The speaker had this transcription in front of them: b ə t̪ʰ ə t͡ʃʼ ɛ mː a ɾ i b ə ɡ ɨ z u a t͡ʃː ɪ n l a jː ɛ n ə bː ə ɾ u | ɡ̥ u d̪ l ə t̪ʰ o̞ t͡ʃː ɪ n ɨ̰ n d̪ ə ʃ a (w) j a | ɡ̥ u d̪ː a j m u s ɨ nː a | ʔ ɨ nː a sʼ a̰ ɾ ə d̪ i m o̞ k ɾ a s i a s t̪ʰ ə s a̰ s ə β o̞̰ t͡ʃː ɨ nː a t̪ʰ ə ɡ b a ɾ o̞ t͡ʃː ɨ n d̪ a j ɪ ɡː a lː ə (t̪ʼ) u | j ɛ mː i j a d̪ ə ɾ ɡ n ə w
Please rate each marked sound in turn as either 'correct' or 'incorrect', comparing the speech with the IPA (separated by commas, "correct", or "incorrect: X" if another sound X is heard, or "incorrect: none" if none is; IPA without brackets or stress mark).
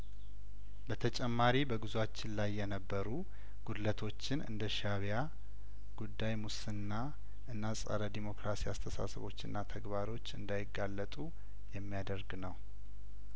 incorrect: β, correct